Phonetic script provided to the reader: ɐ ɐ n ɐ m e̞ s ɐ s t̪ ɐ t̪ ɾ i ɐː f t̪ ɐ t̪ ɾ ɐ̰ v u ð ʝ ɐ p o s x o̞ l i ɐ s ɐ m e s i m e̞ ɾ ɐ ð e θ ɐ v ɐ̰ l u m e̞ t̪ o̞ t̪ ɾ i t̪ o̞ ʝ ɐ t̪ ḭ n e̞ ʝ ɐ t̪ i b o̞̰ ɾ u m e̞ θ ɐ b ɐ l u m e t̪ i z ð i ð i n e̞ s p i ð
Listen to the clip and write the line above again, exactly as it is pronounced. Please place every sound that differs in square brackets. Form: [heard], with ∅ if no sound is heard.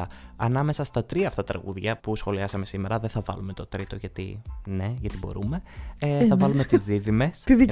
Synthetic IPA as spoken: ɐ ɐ n ɐ m e̞ s ɐ s t̪ ɐ t̪ ɾ i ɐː f t̪ ɐ t̪ ɾ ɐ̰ [ɣ] u ð ʝ ɐ p [u] s x o̞ l i ɐ s ɐ m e s i m e̞ ɾ ɐ ð e θ ɐ v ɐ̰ l u m e̞ t̪ o̞ t̪ ɾ i t̪ o̞ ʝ ɐ t̪ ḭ n e̞ ʝ ɐ t̪ i b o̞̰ ɾ u m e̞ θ ɐ [v] ɐ l u m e t̪ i z ð i ð i [m] e̞ s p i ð